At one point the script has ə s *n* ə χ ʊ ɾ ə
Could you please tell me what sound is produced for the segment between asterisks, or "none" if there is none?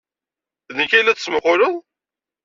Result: m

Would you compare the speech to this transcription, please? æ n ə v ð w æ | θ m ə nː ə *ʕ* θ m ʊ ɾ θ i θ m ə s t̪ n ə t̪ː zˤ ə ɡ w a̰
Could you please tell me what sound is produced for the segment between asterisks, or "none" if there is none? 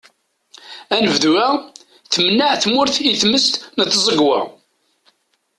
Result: ʕ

